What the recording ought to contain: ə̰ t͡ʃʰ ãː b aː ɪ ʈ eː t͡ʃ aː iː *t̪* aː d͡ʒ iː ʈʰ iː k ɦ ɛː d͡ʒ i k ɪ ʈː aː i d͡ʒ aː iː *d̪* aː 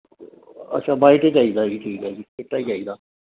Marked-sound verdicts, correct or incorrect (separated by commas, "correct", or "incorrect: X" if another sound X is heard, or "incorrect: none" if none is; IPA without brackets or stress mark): incorrect: d̪, correct